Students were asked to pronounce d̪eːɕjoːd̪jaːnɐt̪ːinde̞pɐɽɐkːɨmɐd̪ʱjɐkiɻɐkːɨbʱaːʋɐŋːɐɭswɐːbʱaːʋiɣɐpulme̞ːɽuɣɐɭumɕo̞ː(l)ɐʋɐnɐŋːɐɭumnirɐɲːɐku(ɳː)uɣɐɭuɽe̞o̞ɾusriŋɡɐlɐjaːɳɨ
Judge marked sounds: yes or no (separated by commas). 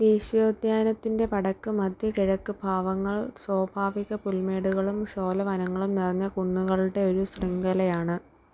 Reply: yes, yes